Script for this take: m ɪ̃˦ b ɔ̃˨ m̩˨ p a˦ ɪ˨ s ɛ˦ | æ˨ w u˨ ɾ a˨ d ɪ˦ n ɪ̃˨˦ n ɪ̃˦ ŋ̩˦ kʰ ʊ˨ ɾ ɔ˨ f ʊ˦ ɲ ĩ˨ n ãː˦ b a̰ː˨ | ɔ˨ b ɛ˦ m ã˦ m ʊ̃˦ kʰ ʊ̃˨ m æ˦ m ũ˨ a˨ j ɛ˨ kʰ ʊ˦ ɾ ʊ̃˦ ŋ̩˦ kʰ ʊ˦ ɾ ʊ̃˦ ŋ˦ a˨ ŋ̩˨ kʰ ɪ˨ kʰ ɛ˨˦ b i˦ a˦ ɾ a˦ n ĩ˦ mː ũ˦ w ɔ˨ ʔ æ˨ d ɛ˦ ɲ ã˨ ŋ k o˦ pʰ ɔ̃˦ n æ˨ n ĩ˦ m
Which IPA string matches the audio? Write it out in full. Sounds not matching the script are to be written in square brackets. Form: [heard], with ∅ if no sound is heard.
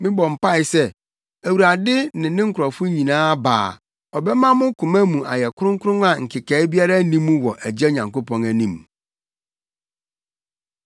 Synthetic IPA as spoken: m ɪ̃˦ b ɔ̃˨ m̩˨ p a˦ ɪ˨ s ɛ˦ | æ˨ w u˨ ɾ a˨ d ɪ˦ n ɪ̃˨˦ n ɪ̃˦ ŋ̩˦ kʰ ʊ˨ ɾ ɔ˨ f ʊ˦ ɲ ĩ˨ n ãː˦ b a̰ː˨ | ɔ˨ b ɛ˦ m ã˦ m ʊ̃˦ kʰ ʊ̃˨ m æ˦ m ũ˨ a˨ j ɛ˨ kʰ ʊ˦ ɾ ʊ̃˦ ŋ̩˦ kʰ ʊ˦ ɾ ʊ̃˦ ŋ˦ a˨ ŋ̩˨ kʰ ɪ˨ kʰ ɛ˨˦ b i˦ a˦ ɾ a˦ n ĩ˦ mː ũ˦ w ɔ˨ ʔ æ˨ [d͡ʑ] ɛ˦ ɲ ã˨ ŋ k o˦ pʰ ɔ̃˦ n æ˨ n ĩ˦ m

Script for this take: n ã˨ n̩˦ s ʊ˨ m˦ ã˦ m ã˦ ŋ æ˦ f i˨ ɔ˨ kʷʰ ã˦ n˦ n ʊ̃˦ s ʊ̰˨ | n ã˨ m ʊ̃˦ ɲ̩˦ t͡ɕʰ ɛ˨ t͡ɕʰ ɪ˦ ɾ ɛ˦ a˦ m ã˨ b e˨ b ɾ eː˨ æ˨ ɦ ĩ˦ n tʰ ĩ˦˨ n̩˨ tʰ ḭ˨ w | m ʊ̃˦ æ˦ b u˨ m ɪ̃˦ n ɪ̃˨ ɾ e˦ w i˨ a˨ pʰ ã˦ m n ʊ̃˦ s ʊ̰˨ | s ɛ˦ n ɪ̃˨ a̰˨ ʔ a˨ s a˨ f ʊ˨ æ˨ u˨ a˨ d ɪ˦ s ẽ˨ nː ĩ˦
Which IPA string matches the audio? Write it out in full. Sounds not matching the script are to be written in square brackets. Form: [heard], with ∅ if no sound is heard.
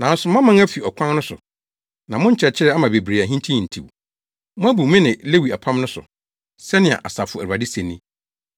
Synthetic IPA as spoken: n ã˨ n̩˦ s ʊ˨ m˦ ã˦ m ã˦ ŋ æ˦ f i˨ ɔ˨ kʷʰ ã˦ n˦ n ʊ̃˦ s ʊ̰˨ | n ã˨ m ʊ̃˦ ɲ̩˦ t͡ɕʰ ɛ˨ t͡ɕʰ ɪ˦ ɾ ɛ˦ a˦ m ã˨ b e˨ b ɾ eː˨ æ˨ ɦ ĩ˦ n tʰ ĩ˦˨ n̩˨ tʰ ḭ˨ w | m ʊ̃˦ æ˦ b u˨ m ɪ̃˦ n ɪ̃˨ [l] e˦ w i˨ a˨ pʰ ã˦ m n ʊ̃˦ s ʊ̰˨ | s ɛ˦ n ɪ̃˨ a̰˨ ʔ a˨ s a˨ f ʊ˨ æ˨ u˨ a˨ d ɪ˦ s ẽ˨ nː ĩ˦

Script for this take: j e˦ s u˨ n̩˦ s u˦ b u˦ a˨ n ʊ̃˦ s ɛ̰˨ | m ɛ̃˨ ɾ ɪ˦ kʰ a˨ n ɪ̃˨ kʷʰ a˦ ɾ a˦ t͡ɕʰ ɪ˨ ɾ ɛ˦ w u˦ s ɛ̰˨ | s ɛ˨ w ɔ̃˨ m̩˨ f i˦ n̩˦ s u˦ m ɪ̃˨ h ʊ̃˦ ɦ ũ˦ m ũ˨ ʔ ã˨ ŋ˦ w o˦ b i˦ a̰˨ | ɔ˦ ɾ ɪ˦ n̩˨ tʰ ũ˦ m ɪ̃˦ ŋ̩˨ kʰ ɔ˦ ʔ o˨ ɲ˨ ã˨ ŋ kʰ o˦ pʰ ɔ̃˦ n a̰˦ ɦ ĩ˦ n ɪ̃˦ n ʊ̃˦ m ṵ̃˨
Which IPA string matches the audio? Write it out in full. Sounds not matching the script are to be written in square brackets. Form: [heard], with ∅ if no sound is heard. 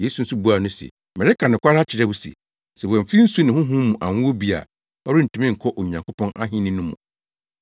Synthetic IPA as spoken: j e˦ s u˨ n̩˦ s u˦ b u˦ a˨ n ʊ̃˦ s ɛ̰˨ | m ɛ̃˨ ɾ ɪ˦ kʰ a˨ n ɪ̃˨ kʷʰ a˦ ɾ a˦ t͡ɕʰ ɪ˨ ɾ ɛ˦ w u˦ s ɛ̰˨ | s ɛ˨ w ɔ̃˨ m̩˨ f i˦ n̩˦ s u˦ [n] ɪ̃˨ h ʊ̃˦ ɦ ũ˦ m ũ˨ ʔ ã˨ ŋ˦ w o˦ b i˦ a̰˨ | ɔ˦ ɾ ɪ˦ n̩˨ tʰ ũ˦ m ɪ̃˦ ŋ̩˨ kʰ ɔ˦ ʔ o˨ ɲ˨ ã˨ ŋ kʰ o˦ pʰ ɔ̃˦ n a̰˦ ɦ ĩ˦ n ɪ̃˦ n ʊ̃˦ m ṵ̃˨

